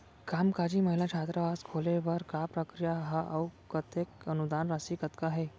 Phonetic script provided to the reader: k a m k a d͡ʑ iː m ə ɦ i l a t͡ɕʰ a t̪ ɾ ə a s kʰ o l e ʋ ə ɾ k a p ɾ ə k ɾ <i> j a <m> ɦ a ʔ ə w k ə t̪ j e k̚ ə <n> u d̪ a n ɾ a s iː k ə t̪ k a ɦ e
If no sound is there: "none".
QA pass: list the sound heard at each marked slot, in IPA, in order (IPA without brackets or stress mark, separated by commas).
i, none, n